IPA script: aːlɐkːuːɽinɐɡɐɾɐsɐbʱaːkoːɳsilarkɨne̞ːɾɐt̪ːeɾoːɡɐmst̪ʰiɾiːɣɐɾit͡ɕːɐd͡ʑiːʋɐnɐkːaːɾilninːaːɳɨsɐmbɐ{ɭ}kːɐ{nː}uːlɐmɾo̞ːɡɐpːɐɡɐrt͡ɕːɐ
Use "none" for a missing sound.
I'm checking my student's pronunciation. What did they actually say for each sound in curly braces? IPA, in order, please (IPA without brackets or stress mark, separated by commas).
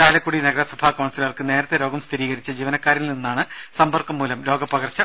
r, mː